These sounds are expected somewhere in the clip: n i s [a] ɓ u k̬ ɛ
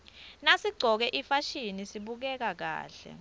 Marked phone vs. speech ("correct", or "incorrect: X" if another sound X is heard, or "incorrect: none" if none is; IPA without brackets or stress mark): incorrect: i